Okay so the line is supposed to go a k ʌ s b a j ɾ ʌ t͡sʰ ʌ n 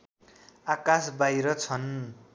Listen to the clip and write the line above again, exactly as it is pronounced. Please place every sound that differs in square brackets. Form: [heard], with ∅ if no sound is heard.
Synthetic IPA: a k [a] s b a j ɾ ʌ t͡sʰ ʌ n

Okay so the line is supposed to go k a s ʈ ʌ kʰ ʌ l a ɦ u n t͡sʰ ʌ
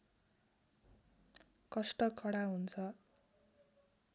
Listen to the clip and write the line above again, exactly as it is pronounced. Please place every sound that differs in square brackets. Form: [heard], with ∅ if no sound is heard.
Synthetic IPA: k [ʌ] s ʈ ʌ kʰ ʌ [ɽ] a ɦ u n t͡sʰ ʌ

